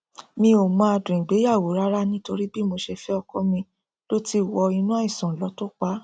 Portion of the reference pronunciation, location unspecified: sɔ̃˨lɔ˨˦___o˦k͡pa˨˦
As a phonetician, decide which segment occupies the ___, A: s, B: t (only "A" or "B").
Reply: B